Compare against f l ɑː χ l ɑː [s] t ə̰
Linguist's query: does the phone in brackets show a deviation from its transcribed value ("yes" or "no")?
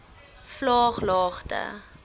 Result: yes